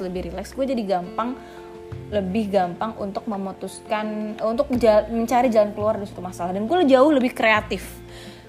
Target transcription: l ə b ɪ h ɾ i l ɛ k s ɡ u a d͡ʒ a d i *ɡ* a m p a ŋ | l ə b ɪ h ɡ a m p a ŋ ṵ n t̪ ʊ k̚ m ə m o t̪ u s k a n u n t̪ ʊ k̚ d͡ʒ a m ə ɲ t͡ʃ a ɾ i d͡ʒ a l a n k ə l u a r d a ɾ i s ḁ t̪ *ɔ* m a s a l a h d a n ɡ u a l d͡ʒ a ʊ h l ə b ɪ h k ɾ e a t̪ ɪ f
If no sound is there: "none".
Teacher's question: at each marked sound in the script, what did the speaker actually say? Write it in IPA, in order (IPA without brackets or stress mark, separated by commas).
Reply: ɡ, u